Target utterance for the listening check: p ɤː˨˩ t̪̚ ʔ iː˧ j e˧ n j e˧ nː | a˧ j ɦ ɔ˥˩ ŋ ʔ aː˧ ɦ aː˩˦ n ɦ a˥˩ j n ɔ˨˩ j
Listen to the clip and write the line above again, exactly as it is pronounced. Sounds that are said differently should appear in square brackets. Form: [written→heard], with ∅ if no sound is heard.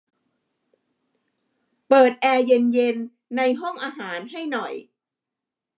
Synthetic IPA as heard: p ɤː˨˩ t̪̚ ʔ [iː˧→ɛː˧] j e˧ n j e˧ nː | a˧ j ɦ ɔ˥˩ ŋ ʔ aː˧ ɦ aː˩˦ n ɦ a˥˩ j n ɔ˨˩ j